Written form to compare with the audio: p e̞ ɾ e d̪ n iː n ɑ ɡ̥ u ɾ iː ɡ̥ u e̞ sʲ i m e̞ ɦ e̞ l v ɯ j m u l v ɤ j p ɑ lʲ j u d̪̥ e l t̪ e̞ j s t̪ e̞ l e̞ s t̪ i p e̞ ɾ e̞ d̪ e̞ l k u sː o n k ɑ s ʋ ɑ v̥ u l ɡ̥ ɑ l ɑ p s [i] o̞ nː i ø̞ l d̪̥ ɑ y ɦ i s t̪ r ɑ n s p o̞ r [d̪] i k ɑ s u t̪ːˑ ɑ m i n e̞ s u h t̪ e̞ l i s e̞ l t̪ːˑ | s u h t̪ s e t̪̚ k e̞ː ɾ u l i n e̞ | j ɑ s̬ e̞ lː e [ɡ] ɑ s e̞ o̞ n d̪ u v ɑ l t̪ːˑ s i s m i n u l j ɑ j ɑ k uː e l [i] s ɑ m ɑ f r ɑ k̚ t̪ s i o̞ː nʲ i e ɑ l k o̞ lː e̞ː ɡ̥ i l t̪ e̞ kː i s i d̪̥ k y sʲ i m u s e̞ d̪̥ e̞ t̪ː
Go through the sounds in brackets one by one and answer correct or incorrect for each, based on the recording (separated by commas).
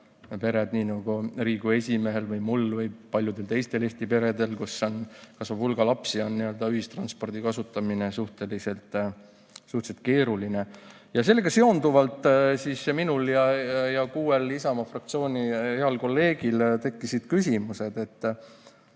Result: correct, correct, correct, correct